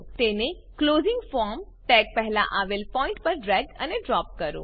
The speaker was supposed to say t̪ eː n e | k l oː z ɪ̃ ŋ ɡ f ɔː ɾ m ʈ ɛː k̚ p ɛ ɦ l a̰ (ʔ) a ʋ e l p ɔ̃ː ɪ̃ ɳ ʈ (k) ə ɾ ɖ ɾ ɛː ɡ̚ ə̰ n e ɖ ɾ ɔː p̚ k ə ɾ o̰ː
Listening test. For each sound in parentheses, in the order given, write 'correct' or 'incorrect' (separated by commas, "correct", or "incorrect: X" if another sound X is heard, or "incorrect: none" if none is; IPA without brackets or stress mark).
correct, incorrect: p